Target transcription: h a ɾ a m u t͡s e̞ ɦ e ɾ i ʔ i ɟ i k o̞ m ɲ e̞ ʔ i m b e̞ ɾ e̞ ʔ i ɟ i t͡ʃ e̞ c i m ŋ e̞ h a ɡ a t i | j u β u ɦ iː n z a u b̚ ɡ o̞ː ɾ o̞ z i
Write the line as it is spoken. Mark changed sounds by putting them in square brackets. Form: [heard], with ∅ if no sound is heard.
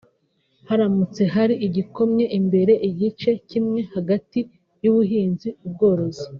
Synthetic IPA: h a ɾ a m u t͡s e̞ ɦ [a] ɾ i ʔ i ɟ i k o̞ m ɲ e̞ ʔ i m b e̞ ɾ e̞ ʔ i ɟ i t͡ʃ e̞ c i m ŋ e̞ h a ɡ a t i | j u β u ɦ iː n z [i] u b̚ ɡ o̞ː ɾ o̞ z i